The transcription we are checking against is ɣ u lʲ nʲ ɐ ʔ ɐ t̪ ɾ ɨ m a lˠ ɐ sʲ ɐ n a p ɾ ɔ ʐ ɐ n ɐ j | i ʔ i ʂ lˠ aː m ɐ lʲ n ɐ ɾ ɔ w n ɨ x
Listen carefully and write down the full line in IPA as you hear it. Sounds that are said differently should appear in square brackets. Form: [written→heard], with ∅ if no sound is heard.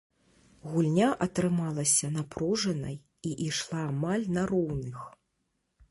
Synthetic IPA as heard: ɣ u lʲ nʲ [ɐ→a] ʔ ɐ t̪ ɾ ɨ m a lˠ ɐ sʲ ɐ n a p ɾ ɔ ʐ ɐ n ɐ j | i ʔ i ʂ lˠ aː m [ɐ→a] lʲ n ɐ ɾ ɔ w n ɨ x